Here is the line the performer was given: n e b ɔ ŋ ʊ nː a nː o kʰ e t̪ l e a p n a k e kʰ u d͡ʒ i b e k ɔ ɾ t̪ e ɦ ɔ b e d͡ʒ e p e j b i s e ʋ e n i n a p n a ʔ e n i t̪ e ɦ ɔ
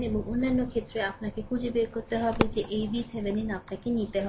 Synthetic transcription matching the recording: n e b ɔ ŋ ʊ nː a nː o kʰ e t̪ ɾ e a p n a k e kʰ u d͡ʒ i b e k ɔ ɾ t̪ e ɦ ɔ b e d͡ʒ e ʔ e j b i s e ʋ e n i n a p n a k e n i t̪ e ɦ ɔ